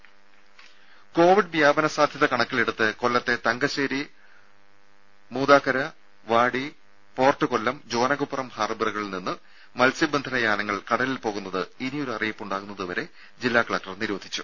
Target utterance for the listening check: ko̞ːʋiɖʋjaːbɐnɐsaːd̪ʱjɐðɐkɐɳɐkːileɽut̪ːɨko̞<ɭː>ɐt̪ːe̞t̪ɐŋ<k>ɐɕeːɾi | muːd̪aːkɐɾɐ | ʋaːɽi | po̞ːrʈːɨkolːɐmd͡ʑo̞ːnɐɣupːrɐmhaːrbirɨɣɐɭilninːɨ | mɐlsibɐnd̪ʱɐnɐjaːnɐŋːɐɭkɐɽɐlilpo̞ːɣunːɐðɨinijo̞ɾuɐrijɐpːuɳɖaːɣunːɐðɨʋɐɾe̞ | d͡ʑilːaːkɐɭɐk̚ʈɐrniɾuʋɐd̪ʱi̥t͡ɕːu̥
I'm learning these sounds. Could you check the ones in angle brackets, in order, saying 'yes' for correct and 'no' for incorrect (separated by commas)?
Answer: no, no